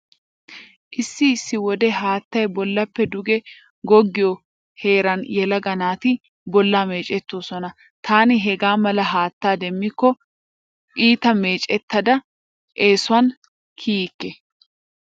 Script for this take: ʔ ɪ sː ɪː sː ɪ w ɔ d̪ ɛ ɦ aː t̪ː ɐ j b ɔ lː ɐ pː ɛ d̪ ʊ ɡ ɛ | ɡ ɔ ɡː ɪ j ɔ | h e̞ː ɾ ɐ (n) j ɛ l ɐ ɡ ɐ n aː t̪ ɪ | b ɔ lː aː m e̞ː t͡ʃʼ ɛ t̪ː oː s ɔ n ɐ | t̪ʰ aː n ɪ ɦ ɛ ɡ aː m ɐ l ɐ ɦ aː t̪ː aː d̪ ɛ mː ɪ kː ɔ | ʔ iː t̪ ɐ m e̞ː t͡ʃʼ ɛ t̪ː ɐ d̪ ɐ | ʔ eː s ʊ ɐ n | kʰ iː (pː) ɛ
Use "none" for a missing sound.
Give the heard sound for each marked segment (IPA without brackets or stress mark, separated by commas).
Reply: n, kː